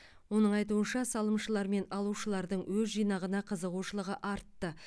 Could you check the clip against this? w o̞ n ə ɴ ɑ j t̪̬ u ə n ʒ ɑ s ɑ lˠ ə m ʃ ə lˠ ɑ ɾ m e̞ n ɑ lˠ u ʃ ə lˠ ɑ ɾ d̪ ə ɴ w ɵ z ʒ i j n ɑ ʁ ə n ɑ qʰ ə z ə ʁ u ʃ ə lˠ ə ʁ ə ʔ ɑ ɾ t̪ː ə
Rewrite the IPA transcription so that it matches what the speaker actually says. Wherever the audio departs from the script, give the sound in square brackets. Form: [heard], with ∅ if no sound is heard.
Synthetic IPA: w o̞ n ə ɴ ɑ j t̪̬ u ə n [ʃ] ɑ s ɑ lˠ ə m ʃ ə lˠ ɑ ɾ m e̞ n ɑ lˠ u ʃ ə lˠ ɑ ɾ d̪ ə ɴ w ɵ z ʒ i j n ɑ ʁ ə n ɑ qʰ ə z ə ʁ u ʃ ə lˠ ə ʁ ə ʔ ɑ ɾ t̪ː ə